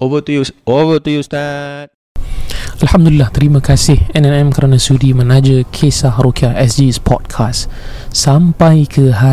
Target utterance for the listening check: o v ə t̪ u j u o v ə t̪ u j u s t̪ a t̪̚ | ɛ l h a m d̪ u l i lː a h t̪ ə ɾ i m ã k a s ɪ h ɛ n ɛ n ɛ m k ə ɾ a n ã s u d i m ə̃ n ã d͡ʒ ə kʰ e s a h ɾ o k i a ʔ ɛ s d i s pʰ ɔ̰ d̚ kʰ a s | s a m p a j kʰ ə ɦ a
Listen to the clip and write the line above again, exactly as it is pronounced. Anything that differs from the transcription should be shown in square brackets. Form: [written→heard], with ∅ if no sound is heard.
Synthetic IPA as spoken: o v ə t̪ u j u o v ə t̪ u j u s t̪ a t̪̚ | [ɛ→a] l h a m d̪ u l i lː a h t̪ ə ɾ i m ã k a s ɪ h ɛ n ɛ n ɛ m k ə ɾ a n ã s u d i m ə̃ n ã d͡ʒ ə kʰ e s a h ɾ o k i a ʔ ɛ s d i s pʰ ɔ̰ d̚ kʰ a s | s a m p a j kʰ ə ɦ a